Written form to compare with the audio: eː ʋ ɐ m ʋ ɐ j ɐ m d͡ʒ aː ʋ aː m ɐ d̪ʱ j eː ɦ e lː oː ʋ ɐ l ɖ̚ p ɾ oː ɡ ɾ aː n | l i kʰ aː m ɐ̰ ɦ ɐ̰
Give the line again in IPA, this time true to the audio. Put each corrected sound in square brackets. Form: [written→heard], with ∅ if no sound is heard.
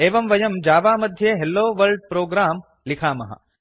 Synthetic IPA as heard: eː ʋ ɐ m ʋ ɐ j ɐ m d͡ʒ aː ʋ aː m ɐ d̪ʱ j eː ɦ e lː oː ʋ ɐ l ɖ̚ p ɾ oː ɡ ɾ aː [n→m] | l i kʰ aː m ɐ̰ ɦ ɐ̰